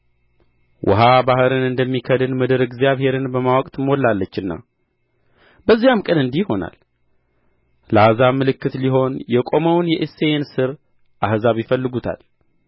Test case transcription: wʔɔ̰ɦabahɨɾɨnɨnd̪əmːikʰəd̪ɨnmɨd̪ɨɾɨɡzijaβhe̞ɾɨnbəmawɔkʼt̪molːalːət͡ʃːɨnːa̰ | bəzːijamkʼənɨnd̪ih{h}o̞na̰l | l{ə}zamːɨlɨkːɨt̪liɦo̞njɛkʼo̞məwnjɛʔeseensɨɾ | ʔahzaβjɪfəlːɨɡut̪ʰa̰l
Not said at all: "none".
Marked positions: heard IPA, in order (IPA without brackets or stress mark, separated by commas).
h, a